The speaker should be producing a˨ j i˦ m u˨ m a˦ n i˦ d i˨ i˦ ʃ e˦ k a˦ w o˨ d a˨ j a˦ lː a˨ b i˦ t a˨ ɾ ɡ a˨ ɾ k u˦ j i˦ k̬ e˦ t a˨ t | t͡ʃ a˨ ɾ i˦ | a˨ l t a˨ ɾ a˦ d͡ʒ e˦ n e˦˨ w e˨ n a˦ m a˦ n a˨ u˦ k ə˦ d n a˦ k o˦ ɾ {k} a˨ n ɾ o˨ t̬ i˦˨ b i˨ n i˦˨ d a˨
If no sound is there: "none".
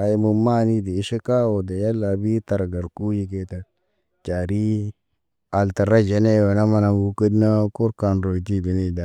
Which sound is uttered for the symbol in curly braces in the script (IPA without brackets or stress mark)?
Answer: k